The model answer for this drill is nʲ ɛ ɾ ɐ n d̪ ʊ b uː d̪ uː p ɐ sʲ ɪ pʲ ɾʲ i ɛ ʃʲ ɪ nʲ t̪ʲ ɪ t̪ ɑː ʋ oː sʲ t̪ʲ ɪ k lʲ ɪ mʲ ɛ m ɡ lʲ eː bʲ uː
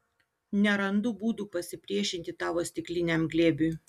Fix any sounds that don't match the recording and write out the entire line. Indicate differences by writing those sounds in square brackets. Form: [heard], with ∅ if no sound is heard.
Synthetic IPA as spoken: nʲ ɛ ɾ ɐ n d̪ ʊ b uː d̪ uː p ɐ sʲ ɪ pʲ ɾʲ i ɛ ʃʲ ɪ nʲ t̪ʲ ɪ t̪ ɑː ʋ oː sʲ t̪ʲ ɪ k lʲ ɪ [nʲ] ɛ m ɡ lʲ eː bʲ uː